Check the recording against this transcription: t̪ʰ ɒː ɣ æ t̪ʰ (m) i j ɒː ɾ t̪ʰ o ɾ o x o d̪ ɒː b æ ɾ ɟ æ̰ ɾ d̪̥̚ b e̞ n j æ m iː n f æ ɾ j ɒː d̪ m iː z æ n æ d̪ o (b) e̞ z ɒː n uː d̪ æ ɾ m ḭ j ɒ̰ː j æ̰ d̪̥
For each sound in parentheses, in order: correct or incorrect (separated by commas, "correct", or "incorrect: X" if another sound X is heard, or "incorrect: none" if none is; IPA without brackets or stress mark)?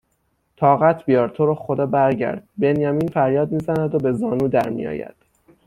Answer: incorrect: b, correct